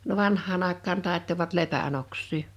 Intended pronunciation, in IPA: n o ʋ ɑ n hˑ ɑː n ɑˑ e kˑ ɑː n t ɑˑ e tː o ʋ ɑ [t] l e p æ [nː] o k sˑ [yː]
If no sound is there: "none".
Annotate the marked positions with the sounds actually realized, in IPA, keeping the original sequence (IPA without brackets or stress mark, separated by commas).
t, n, iː